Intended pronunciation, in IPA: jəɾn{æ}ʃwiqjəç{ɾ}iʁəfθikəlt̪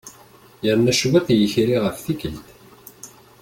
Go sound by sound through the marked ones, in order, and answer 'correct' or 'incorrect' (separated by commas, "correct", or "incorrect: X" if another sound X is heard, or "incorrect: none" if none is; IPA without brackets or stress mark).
correct, correct